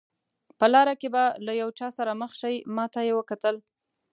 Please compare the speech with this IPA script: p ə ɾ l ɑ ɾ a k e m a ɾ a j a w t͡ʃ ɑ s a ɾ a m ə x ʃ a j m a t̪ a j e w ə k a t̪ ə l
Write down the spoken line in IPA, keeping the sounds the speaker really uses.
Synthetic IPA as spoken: p ə l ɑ ɾ a k e b a l a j a w t͡ʃ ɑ s a ɾ a m ə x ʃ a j m ɑ t̪ a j e w ə k a t̪ ə l